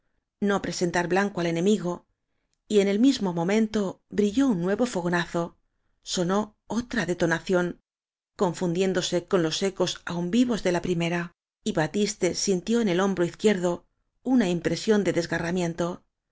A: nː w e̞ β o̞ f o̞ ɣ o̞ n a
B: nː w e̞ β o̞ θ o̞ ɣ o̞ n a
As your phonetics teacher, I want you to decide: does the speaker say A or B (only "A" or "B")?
A